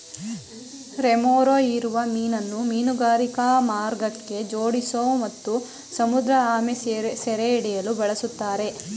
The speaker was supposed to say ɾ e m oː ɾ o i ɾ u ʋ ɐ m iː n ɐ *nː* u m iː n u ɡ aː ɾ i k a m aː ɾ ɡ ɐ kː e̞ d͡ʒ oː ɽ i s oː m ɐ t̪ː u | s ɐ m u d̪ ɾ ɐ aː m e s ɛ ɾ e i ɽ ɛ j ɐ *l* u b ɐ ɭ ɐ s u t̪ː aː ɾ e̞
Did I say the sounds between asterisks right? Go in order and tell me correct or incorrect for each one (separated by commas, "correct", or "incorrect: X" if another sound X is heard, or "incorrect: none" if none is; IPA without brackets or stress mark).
correct, correct